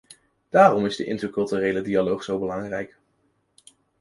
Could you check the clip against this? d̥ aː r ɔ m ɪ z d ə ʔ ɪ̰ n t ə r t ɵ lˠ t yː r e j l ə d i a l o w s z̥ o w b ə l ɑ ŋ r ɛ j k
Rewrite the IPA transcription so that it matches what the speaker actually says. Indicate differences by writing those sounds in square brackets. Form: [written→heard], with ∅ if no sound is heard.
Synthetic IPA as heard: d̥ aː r ɔ m ɪ z d ə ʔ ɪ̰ n t ə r [t→k] ɵ lˠ t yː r e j l ə d i a l o w [s→χ] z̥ o w b ə l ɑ ŋ r ɛ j k